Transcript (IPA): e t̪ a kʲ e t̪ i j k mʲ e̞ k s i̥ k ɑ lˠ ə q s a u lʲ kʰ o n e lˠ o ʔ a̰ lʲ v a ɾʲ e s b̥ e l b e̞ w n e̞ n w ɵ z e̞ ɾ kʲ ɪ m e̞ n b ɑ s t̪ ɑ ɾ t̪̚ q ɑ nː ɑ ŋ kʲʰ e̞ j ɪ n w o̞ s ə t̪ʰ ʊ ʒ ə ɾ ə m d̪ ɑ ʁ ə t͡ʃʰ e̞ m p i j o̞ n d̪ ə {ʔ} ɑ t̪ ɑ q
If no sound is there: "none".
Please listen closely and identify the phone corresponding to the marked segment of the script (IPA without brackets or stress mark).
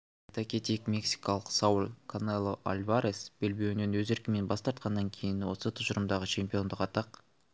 q